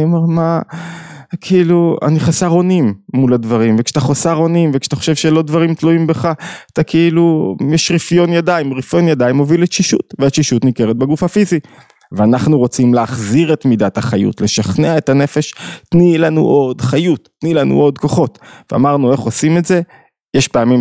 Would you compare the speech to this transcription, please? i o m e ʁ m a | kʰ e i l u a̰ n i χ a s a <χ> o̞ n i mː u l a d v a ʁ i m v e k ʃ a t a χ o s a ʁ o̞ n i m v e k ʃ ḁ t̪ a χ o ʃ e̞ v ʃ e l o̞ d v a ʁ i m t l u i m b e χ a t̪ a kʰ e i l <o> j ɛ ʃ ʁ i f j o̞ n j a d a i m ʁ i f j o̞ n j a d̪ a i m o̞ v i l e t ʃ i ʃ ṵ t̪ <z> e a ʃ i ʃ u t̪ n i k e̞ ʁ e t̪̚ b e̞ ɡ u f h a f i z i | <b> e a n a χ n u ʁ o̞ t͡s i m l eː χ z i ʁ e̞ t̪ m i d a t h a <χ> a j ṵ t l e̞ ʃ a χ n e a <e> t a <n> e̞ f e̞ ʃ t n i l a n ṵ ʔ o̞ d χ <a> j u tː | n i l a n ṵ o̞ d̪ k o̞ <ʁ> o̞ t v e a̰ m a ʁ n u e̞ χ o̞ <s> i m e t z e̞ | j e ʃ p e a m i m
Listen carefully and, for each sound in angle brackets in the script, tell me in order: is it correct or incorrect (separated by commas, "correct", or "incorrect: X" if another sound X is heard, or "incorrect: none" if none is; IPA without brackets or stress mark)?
incorrect: ʁ, incorrect: u, incorrect: v, incorrect: v, correct, correct, correct, correct, incorrect: χ, correct